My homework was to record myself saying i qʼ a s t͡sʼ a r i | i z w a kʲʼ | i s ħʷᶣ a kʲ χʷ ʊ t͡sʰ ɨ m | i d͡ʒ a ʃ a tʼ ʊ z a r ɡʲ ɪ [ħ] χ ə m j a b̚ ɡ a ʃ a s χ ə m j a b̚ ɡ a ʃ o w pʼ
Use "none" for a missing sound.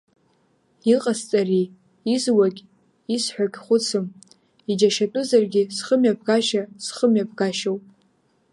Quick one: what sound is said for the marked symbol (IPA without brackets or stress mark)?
s